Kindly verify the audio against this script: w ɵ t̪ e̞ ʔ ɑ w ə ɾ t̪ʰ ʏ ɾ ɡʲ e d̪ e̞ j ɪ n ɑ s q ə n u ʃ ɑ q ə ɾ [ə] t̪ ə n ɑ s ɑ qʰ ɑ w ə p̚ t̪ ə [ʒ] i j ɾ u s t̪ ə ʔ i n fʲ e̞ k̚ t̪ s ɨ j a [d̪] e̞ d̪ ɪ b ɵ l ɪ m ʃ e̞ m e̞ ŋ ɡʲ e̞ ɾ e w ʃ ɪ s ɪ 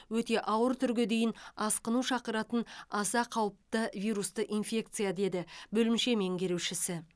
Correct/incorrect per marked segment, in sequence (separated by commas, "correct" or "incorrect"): incorrect, incorrect, correct